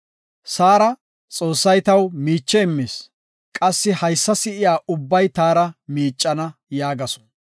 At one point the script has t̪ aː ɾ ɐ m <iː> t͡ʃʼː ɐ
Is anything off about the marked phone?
no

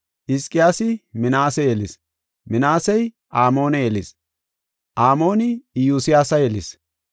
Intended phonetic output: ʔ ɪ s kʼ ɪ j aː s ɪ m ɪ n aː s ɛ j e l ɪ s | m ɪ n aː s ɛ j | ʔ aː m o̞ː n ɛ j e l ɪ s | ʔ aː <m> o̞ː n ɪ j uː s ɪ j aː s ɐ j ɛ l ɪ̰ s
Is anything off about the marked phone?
no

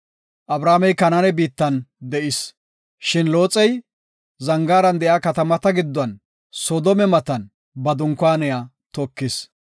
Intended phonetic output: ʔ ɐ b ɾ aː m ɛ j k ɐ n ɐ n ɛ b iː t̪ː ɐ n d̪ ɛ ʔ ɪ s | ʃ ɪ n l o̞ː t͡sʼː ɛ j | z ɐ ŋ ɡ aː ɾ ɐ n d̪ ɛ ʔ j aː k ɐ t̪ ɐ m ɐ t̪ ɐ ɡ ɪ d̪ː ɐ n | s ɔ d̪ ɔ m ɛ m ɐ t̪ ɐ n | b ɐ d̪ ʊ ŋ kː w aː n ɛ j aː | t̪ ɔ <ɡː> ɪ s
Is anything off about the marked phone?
yes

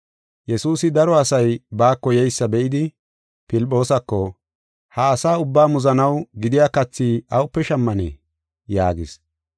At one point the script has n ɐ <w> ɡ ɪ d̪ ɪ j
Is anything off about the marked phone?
no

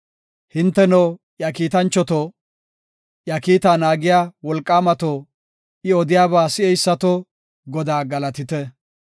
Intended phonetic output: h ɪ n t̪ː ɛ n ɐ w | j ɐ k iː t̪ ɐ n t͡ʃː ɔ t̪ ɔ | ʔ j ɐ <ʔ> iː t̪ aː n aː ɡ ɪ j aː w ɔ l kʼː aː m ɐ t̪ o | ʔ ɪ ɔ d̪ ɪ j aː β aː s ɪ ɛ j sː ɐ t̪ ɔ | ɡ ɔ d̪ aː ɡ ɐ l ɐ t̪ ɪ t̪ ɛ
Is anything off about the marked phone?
yes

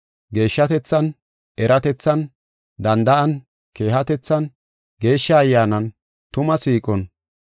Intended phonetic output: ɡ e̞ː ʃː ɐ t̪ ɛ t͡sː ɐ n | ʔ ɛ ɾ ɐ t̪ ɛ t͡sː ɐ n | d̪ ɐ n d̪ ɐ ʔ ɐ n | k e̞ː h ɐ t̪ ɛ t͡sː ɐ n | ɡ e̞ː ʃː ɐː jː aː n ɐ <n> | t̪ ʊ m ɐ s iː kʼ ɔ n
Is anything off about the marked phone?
no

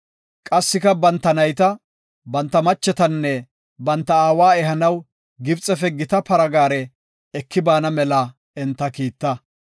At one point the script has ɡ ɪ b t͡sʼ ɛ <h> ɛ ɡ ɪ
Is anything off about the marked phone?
yes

